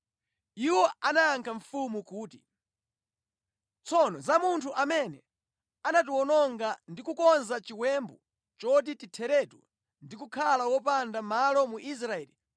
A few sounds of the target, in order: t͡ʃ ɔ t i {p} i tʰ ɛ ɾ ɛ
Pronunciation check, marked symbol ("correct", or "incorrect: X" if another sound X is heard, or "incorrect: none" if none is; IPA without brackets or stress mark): incorrect: t